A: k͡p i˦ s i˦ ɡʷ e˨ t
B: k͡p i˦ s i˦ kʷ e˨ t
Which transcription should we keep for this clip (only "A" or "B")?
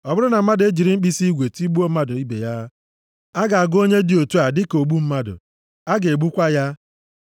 A